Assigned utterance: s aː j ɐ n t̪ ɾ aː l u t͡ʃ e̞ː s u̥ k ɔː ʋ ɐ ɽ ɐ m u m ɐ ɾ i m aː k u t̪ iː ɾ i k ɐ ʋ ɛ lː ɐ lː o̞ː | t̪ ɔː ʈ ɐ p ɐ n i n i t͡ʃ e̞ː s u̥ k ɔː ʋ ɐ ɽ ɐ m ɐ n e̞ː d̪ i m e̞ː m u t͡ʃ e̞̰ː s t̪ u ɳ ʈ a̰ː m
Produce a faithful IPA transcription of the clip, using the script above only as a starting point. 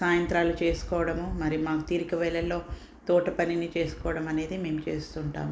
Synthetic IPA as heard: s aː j ɐ n t̪ ɾ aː l u t͡ʃ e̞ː s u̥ k ɔː ʋ ɐ ɽ ɐ m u m ɐ ɾ i m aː k u t̪ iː ɾ i k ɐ ʋ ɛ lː ɐ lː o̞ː | t̪ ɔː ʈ ɐ p ɐ n i n i t͡ʃ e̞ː s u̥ k ɔː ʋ ɐ ɽ ɐ m ɐ n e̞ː d̪ i m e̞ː m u t͡ʃ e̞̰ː s t̪ u ɳ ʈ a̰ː m